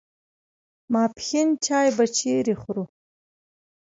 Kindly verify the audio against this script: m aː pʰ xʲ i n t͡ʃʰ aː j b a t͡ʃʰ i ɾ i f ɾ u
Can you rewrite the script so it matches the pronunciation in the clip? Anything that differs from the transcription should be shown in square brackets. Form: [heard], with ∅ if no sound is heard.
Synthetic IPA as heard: m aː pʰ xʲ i n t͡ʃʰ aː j b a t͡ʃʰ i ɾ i [χ] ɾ u